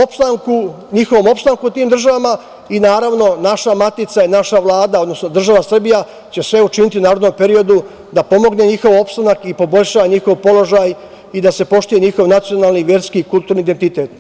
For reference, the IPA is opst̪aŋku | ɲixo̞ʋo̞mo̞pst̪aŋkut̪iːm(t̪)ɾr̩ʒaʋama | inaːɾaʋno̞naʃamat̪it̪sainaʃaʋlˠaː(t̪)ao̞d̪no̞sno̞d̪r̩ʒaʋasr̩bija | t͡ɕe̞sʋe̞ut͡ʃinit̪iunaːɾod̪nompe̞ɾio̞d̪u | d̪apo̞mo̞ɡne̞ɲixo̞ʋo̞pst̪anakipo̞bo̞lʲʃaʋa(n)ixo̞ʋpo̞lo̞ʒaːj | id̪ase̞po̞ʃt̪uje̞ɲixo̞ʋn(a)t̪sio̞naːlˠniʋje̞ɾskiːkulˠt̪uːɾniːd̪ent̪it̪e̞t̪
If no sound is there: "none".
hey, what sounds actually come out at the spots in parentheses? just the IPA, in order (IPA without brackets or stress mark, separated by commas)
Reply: d̪, d̪, ɲ, a